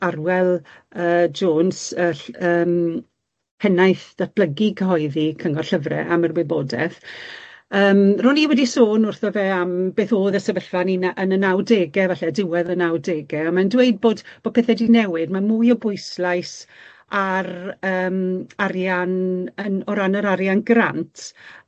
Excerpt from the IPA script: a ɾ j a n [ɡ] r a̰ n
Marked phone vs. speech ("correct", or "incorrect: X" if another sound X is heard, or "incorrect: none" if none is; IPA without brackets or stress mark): correct